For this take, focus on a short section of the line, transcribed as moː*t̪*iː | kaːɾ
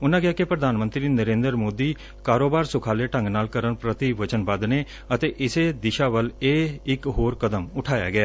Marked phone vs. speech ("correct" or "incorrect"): incorrect